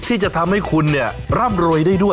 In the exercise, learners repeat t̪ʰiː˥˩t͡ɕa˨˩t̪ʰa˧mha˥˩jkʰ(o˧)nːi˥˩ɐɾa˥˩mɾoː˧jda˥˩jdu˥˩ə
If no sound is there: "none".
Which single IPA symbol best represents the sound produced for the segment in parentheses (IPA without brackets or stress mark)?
u˧